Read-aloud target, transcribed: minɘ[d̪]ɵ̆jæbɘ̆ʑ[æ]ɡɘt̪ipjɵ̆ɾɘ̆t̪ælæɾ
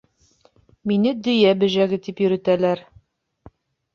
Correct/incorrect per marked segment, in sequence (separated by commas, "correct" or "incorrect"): correct, correct